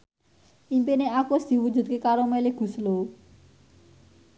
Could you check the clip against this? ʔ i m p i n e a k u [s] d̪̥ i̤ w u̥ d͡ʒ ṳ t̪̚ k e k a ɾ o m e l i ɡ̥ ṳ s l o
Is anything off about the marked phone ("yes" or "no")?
no